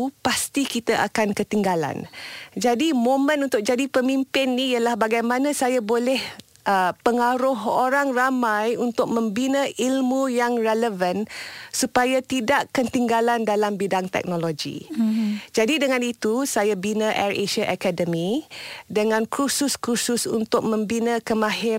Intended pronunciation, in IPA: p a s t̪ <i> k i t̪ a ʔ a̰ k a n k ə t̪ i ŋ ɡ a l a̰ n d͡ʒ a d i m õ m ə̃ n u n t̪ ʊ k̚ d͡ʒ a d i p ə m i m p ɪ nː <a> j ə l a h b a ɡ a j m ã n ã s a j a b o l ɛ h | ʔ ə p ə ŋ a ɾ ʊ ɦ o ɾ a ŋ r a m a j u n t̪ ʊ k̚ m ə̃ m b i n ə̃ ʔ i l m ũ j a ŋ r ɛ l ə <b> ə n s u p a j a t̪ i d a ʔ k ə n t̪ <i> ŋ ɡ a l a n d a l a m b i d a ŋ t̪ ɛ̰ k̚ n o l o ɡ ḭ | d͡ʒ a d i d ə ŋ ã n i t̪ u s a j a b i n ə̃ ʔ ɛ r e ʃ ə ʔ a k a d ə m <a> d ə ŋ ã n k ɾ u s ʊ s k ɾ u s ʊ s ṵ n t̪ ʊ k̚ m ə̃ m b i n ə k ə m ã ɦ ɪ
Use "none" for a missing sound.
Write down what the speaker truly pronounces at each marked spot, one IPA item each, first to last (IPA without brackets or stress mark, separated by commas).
i, i, v, i, i